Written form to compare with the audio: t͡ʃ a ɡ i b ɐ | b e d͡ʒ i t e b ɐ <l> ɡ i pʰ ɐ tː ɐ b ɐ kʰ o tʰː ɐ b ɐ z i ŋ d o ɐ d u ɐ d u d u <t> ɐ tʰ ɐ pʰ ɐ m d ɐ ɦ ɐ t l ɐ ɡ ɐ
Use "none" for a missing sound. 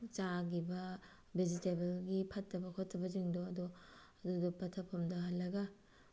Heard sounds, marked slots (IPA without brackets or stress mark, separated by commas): l, p